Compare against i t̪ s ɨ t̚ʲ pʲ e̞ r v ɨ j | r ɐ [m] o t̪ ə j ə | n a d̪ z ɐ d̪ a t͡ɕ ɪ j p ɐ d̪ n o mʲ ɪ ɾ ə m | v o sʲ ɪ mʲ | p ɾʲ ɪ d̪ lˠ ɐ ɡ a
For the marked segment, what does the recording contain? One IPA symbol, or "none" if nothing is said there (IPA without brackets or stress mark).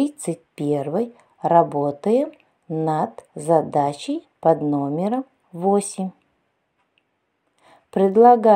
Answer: b